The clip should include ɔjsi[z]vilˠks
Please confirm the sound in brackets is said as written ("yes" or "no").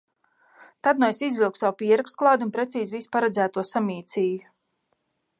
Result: yes